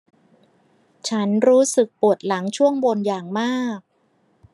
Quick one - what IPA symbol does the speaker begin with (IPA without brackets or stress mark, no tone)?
t͡ɕʰ